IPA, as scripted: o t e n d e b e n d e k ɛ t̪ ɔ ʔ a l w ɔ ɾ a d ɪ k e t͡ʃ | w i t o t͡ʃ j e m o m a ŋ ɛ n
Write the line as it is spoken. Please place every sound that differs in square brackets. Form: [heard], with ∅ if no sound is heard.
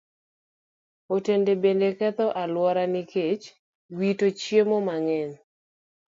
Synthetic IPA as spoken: o t e n d e b e n d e k ɛ t̪ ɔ ʔ a l w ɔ ɾ a [n] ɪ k e t͡ʃ | w i t o t͡ʃ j e m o m a ŋ ɛ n